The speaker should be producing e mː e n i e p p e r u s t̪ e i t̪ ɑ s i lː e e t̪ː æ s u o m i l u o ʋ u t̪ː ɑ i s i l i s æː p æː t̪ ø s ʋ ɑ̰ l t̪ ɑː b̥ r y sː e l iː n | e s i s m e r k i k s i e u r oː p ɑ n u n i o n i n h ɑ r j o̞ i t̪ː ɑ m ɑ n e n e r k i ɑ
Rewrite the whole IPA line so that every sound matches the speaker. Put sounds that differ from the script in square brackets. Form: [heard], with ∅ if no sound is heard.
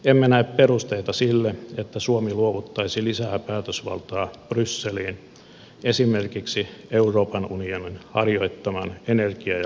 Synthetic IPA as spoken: e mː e n [æ] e p p e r u s t̪ e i t̪ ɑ s i lː e e t̪ː æ s u o m i l u o ʋ u t̪ː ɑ i s i l i s æː p æː t̪ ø s ʋ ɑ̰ l t̪ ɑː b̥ r y sː e l iː n | e s i [∅] m e r k i k s i e u r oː p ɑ n u n i o n i n h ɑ r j o̞ i t̪ː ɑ m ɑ n e n e r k i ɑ